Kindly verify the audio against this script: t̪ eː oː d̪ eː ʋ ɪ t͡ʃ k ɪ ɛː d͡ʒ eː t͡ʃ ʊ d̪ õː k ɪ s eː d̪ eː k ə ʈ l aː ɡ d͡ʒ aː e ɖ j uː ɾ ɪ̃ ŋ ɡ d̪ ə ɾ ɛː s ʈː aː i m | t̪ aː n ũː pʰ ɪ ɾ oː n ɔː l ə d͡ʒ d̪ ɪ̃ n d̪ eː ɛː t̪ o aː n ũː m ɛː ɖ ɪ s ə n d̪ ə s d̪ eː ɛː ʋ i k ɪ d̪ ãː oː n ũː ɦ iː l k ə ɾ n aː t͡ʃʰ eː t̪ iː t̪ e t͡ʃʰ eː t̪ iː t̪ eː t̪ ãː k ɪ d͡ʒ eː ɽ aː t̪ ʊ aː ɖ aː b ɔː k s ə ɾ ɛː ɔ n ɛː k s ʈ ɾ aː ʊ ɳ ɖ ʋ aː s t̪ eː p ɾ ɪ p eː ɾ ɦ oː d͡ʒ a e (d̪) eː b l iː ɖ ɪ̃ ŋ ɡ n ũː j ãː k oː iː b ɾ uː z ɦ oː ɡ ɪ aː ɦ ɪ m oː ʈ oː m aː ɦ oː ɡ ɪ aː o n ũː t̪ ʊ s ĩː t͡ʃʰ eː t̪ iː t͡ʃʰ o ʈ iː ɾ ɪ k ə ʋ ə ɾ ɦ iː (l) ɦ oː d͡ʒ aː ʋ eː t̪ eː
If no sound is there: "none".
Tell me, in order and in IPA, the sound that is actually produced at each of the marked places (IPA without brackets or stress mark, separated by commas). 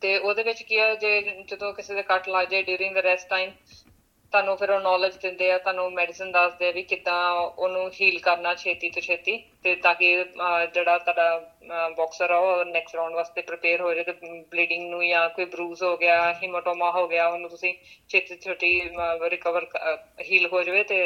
t̪, l